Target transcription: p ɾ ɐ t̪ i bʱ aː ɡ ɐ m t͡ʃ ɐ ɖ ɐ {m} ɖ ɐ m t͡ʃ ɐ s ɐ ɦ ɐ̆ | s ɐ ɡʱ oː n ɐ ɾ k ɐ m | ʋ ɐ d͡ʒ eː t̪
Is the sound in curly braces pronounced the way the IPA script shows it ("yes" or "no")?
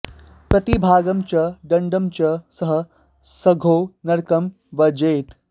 no